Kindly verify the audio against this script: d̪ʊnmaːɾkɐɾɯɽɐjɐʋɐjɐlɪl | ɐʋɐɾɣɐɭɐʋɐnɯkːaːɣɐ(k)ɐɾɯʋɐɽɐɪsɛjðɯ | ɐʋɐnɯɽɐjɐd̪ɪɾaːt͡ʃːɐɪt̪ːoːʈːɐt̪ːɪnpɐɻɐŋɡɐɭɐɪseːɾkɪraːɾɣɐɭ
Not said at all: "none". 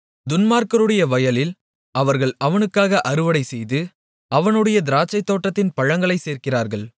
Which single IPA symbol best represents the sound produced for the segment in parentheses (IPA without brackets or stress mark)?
ʔ